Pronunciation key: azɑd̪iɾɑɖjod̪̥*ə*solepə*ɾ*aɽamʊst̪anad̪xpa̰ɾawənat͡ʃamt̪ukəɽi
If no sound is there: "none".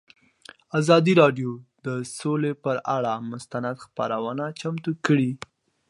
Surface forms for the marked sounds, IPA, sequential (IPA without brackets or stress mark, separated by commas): ə, ɾ